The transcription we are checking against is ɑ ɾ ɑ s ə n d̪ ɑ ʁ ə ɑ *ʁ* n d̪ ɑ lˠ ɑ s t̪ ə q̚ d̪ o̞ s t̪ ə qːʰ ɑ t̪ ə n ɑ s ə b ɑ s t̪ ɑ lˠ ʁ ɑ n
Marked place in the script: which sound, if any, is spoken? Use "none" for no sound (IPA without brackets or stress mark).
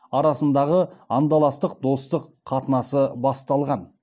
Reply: none